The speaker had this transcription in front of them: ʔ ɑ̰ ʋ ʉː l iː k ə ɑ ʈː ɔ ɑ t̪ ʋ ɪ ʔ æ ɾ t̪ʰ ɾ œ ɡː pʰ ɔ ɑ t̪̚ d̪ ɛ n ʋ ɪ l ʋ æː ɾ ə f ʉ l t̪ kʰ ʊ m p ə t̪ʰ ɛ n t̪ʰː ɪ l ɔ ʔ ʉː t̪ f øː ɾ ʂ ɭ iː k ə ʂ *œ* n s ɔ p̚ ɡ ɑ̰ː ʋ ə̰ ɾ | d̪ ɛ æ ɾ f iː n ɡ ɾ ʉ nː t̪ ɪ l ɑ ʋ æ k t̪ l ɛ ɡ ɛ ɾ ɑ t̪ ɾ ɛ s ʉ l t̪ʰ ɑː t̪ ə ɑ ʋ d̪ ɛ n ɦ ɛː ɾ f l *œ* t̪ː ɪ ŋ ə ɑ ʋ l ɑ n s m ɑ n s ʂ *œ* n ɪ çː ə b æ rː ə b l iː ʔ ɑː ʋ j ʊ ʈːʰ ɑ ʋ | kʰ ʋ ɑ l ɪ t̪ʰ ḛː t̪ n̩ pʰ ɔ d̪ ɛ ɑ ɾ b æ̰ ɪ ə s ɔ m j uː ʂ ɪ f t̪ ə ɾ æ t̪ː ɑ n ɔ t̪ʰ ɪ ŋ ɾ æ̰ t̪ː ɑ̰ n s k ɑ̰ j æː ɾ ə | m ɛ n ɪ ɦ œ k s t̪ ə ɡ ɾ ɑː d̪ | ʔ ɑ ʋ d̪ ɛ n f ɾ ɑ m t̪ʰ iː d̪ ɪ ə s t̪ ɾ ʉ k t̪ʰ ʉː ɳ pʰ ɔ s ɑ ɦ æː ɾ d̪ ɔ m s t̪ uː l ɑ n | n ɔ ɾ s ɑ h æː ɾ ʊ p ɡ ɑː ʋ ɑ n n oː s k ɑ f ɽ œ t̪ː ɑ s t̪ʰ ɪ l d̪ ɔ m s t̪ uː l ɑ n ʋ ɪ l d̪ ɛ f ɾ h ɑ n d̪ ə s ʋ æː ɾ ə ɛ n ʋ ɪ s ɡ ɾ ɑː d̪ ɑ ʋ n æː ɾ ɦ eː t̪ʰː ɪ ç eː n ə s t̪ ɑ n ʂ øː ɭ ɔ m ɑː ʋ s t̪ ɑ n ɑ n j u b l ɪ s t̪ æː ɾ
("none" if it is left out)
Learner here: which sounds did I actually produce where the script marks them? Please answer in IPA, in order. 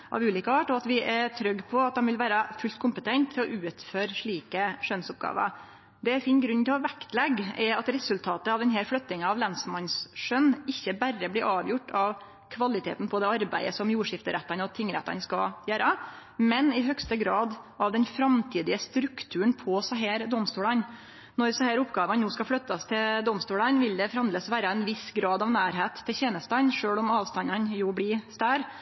œ, œ, œ

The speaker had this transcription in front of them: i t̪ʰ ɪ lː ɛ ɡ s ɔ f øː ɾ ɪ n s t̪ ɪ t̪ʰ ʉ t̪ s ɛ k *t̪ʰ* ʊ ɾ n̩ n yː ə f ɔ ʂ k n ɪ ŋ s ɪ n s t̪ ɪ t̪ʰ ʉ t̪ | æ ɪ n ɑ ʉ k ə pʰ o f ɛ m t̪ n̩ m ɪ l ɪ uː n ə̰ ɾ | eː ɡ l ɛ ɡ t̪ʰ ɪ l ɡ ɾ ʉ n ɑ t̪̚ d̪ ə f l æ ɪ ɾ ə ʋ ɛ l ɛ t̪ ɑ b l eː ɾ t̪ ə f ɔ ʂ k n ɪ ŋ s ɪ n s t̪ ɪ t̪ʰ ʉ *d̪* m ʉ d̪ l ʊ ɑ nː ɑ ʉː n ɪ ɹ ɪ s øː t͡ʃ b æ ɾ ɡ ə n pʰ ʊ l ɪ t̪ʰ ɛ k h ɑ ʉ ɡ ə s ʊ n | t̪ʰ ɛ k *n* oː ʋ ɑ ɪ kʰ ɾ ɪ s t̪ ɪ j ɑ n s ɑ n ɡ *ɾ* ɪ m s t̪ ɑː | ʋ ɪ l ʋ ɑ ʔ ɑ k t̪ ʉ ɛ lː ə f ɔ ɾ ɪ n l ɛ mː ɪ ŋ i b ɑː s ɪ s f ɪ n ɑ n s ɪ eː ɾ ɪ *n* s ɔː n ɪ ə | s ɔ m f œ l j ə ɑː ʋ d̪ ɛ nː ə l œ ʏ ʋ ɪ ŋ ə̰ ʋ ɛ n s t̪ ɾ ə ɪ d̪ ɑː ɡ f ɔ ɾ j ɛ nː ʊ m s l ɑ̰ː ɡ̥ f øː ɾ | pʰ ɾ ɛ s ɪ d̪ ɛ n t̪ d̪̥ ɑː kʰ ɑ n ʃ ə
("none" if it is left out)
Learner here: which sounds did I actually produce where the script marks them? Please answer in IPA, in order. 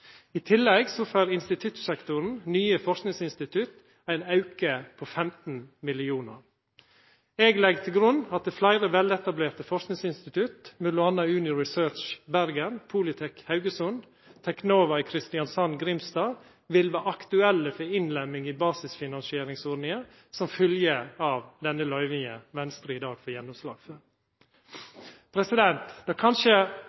t̪, t̪, n, ɾ, ŋ

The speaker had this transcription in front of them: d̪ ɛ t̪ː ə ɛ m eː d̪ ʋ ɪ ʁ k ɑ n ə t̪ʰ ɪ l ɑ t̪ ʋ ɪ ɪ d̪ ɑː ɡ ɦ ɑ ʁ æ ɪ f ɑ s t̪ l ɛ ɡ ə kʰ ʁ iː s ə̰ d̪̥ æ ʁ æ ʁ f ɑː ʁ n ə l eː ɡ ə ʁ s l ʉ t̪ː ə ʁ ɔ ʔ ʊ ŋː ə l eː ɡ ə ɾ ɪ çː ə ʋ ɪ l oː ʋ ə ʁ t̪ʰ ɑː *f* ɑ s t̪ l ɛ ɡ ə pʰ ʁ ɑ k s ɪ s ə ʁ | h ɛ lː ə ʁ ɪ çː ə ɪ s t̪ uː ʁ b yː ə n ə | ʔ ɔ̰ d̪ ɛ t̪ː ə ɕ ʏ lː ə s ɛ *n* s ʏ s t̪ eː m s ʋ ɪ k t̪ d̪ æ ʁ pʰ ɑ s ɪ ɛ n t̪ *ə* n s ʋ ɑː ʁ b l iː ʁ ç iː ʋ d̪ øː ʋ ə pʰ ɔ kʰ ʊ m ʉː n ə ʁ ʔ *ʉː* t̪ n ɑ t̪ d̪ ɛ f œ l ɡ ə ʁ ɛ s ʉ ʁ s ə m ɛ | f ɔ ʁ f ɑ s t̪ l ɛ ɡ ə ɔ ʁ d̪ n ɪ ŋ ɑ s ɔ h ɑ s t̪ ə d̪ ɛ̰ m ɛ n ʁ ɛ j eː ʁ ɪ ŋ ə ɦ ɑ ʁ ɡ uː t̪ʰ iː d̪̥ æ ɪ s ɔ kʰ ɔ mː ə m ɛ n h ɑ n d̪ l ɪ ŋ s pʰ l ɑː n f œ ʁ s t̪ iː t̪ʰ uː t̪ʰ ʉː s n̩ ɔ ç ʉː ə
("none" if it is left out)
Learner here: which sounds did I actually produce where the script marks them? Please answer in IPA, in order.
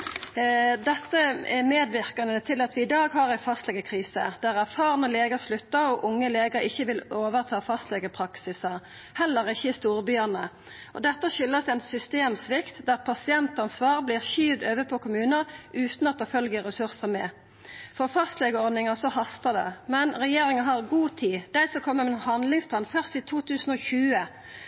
f, n, ɑ, ʉː

